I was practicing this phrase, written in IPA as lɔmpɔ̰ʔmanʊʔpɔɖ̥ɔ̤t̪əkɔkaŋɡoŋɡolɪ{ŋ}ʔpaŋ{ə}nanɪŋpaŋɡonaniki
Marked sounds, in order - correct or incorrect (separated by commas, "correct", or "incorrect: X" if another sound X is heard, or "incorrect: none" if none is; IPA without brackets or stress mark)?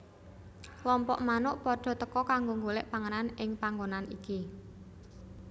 incorrect: none, correct